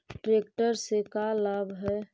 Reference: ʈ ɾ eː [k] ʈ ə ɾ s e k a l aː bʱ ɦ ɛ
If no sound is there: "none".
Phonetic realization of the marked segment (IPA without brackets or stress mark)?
k